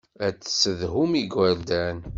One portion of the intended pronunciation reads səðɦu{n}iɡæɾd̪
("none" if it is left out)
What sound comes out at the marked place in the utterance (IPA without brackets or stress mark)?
m